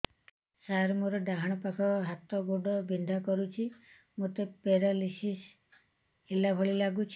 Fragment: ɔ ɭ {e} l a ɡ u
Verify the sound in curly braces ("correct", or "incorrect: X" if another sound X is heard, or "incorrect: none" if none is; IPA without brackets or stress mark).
incorrect: i